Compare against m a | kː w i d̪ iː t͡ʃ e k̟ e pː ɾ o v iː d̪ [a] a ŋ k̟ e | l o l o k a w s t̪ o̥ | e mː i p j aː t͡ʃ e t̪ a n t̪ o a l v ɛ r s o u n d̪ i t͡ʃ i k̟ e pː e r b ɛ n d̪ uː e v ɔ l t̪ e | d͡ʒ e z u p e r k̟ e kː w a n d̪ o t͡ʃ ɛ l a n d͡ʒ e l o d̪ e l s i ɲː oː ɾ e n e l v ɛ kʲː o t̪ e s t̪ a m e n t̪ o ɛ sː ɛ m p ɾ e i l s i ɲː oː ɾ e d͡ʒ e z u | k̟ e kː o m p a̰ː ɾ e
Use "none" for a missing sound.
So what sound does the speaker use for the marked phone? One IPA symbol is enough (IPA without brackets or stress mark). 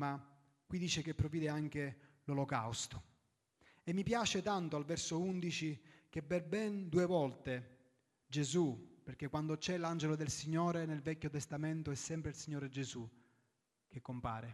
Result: e